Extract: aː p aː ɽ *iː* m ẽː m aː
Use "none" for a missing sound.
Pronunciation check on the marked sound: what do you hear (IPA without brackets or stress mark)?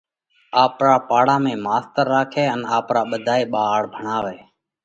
aː